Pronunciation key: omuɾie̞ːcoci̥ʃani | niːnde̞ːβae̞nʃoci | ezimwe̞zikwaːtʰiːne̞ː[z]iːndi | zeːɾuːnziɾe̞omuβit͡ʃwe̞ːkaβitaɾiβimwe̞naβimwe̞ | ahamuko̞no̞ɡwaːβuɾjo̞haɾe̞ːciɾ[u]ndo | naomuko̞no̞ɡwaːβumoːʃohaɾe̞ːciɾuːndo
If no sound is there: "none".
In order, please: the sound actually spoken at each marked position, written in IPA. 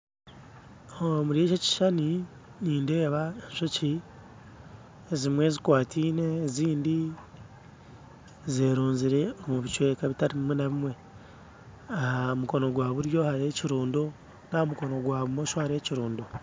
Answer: z, uː

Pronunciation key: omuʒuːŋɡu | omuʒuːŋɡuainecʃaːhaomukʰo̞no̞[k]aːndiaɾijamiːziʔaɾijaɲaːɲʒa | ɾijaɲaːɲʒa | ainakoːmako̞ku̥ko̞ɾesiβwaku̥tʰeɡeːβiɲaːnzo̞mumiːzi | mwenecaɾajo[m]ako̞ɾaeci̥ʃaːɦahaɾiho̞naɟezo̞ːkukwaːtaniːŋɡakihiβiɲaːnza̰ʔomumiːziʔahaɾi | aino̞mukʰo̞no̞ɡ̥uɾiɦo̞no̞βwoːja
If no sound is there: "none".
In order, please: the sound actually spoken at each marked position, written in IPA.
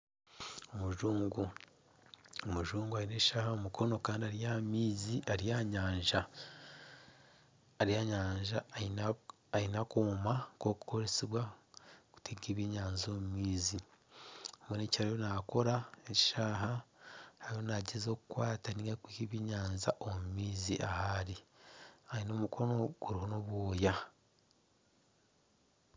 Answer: k, n

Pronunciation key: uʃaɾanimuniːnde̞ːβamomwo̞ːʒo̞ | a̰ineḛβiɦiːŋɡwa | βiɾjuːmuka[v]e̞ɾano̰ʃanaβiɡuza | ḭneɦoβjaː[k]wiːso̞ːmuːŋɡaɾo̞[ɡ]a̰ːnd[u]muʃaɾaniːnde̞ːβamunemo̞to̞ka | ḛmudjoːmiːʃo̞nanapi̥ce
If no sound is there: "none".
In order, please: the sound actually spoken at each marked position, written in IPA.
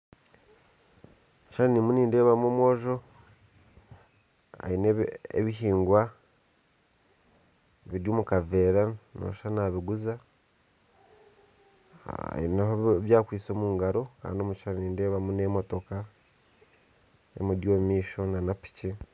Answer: v, k, k, o

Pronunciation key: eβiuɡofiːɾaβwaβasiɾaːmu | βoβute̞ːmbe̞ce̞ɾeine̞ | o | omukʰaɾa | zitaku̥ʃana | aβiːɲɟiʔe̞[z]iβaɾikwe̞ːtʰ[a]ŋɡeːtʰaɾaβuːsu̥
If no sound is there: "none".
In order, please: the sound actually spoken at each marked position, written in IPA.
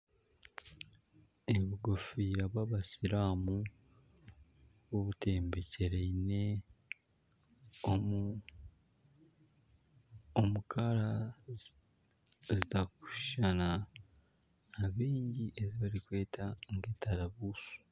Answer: z, a

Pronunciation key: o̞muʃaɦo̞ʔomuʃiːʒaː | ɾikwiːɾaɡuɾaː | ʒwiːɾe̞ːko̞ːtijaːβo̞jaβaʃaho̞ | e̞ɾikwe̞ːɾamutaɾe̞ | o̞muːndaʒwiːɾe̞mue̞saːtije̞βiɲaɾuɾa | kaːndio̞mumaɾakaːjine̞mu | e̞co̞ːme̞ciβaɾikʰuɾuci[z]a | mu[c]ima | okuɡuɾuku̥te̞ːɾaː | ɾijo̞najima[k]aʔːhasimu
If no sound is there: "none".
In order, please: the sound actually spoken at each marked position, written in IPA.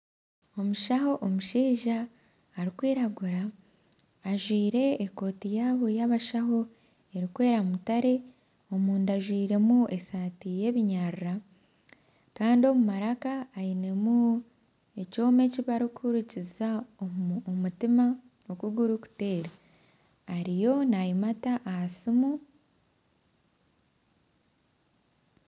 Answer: z, t, t

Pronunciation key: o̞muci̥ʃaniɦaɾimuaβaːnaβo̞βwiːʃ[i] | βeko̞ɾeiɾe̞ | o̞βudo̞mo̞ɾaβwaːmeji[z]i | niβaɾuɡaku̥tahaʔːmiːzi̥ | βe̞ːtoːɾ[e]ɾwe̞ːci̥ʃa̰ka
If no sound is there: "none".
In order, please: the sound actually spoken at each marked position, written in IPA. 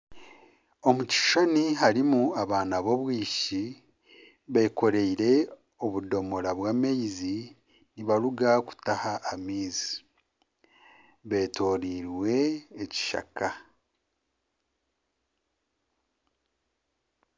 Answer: i, z, i

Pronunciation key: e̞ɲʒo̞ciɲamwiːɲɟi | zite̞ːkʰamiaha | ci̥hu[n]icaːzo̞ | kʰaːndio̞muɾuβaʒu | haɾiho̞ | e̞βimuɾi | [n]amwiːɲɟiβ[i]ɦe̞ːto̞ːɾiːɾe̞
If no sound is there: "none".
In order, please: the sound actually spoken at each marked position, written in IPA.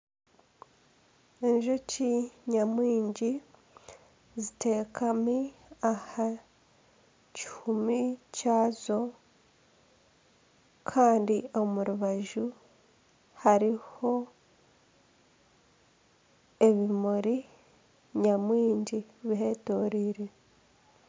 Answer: m, ɲ, i

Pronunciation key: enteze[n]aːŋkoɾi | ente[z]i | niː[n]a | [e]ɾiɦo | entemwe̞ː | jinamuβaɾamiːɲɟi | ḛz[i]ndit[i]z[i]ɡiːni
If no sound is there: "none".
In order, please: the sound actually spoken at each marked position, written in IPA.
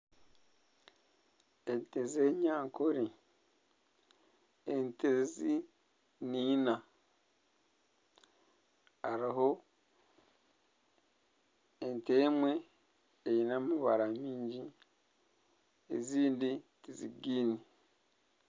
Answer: ɲ, z, n, a, iː, i, i

